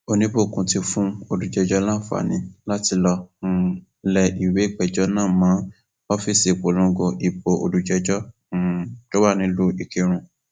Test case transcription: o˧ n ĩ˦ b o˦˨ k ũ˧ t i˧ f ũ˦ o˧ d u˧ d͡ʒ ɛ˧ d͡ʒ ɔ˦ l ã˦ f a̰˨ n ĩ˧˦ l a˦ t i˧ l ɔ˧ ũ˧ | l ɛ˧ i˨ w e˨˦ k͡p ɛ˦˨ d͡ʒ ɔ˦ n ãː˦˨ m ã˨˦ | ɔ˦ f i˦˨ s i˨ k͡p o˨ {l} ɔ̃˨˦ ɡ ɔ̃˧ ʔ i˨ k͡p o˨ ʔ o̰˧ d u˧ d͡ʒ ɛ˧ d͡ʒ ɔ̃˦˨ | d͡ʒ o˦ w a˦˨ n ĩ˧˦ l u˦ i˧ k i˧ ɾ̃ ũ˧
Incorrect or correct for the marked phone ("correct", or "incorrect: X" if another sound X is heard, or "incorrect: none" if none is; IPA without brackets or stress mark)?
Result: correct